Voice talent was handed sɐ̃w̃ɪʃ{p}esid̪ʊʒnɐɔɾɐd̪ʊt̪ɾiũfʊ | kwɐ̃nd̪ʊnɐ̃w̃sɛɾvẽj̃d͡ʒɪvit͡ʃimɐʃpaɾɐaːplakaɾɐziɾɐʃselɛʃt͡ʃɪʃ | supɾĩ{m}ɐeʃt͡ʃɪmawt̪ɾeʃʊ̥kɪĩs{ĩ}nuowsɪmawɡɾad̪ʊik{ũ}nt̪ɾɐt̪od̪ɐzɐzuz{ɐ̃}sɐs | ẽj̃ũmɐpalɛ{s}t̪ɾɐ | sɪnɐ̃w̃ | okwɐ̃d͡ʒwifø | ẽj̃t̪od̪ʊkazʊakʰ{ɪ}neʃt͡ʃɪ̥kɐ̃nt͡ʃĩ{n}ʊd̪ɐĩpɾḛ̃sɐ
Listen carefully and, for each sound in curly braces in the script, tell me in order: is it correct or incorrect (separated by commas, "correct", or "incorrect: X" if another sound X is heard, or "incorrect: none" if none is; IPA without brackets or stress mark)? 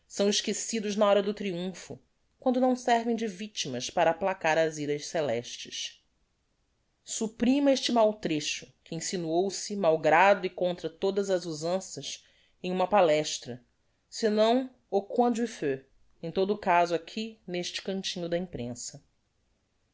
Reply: incorrect: k, correct, incorrect: i, incorrect: õ, correct, incorrect: ʃ, incorrect: i, incorrect: ɲ